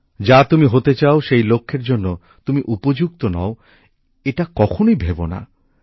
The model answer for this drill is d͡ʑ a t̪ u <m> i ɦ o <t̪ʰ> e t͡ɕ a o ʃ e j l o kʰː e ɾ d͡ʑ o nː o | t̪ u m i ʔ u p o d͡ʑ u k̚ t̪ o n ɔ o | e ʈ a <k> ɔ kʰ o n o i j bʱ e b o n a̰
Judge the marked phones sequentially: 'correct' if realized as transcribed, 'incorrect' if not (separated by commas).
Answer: correct, incorrect, correct